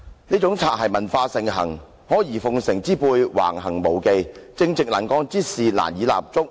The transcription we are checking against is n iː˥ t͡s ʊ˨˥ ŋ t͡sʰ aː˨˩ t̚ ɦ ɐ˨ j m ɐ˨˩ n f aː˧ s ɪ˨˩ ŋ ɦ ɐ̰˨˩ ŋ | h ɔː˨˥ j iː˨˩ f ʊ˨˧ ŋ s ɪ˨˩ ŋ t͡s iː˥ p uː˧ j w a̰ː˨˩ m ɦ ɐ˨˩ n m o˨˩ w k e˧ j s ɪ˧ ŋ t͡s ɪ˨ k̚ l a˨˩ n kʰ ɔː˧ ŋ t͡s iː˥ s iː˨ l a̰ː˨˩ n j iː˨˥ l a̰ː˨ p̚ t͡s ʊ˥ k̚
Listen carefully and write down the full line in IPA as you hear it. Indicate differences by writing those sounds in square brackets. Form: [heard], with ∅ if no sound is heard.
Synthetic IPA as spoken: n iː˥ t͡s ʊ˨˥ ŋ t͡sʰ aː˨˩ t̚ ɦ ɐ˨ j m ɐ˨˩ n f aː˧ s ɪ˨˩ ŋ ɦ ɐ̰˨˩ ŋ | h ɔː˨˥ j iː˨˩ f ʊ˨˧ ŋ s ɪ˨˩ ŋ t͡s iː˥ p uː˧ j w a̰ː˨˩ [ŋ] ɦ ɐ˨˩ [ŋ] m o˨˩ w k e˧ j [t͡s] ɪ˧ ŋ t͡s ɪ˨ k̚ l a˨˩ n [k] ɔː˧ ŋ t͡s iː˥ s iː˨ l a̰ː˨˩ n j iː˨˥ l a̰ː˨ p̚ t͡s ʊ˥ k̚